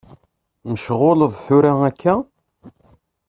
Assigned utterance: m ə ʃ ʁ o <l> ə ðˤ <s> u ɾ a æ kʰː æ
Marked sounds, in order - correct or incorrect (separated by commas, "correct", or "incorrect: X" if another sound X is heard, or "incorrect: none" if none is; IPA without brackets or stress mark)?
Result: correct, incorrect: θ